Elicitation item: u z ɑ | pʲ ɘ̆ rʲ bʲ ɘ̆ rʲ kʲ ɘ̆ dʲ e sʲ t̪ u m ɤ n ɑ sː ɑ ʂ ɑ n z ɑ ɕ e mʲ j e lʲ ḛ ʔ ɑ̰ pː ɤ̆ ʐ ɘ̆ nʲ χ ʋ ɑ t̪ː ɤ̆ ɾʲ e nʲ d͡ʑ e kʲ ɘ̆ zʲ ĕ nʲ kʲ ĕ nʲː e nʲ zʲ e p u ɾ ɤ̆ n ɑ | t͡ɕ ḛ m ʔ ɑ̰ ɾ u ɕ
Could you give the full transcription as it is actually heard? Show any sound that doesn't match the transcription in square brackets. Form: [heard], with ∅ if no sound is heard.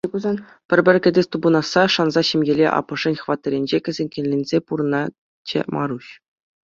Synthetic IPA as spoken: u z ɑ | pʲ ɘ̆ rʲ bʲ ɘ̆ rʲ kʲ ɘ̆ dʲ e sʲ t̪ u [b] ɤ n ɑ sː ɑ ʂ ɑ n z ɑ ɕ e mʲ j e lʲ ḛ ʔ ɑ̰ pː ɤ̆ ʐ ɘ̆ nʲ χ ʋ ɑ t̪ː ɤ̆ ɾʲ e nʲ d͡ʑ e kʲ ɘ̆ zʲ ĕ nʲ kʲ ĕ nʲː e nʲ zʲ e p u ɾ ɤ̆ n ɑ | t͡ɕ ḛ m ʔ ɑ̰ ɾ u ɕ